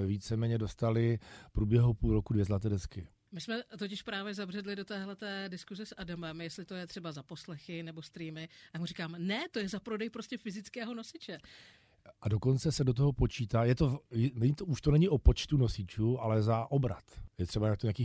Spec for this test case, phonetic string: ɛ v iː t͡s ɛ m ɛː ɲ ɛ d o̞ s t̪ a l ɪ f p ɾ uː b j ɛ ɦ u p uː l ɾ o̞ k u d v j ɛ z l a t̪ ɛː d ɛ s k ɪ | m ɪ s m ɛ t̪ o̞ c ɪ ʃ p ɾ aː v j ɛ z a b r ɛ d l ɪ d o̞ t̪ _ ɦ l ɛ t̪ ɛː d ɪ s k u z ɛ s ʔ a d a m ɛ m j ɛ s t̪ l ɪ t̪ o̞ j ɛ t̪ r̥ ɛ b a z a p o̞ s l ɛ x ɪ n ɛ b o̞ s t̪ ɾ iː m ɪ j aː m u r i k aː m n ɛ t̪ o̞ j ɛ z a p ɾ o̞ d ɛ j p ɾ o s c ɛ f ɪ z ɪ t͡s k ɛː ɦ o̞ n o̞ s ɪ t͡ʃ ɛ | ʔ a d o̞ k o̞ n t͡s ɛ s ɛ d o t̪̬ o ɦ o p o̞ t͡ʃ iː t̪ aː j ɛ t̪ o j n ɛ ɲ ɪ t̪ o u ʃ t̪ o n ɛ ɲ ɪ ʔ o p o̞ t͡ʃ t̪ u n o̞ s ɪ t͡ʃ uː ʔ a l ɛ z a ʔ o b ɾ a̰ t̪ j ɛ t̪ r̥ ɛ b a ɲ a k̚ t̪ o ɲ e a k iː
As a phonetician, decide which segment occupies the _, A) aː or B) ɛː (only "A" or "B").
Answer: B